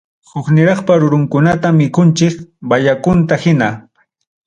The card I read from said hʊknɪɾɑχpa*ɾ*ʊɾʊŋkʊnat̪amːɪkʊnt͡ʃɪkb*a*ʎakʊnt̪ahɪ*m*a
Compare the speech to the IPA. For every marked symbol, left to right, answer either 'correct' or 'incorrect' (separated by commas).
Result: correct, correct, incorrect